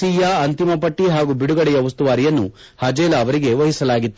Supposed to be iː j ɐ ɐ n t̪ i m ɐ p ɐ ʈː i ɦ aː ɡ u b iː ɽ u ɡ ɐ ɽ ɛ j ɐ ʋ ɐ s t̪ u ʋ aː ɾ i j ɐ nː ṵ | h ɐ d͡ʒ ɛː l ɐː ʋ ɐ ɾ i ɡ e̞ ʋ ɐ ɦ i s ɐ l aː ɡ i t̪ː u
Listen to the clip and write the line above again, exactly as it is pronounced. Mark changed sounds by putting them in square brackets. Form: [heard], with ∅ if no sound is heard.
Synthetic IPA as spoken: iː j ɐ ɐ n t̪ i m ɐ p ɐ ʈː i ɦ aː ɡ u b [i] ɽ u ɡ ɐ ɽ ɛ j ɐ ʋ ɐ s t̪ u ʋ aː ɾ i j ɐ nː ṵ | h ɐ d͡ʒ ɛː l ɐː ʋ ɐ ɾ i ɡ e̞ ʋ ɐ ɦ i s ɐ l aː ɡ i t̪ː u